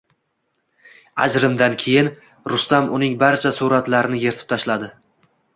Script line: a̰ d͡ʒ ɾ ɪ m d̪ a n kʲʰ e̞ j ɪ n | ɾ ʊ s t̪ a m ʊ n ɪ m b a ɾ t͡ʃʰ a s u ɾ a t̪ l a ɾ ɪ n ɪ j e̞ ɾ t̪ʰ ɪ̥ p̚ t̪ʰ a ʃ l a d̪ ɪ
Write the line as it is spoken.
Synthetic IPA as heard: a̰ d͡ʒ ɾ ɪ m d̪ a n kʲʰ e̞ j ɪ n | ɾ ʊ s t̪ a m ʊ n ɪ ŋ b a ɾ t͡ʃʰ a s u ɾ a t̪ l a ɾ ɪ n ɪ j e̞ ɾ t̪ʰ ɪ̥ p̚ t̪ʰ a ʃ l a d̪ ɪ